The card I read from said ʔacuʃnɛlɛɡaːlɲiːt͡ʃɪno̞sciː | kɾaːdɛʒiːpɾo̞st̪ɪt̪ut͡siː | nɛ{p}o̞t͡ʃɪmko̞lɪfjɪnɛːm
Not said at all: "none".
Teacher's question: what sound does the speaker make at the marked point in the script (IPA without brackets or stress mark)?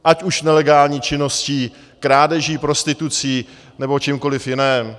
b